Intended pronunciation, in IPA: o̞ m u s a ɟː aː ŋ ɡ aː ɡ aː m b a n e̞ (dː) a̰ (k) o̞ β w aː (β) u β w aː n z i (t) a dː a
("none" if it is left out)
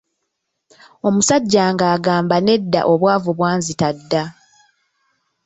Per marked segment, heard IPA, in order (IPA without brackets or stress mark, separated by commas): dː, ʔ, v, t